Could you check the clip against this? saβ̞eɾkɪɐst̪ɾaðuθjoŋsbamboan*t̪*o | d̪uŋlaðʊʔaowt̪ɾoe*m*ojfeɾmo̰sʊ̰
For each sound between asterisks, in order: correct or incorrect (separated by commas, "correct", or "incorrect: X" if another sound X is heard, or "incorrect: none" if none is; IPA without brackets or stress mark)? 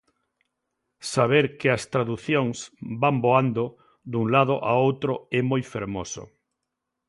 incorrect: d̪, correct